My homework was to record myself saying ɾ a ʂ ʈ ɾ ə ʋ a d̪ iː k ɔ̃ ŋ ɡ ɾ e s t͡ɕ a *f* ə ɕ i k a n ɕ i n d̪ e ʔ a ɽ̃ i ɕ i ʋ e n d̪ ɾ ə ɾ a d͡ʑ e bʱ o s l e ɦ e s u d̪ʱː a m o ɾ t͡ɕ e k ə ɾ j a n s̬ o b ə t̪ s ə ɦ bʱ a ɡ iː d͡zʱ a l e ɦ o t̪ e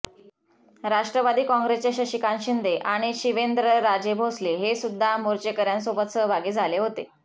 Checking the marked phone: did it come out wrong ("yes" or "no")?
yes